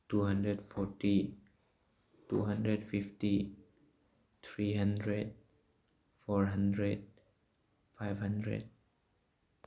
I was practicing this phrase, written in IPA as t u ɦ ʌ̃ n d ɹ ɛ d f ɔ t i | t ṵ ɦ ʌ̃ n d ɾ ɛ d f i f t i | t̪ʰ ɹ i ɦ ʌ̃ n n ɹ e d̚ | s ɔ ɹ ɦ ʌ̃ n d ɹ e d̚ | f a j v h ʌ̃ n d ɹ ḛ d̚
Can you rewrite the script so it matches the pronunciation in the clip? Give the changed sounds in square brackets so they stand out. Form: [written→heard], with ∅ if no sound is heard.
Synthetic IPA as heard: t u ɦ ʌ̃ n d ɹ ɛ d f ɔ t i | t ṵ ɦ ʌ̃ n d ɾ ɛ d f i f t i | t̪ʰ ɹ i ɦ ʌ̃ n [n→d] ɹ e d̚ | [s→f] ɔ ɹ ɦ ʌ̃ n d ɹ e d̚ | f a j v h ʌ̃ n d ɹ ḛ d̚